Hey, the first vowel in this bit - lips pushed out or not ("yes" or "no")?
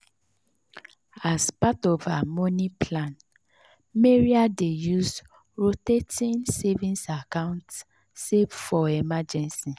no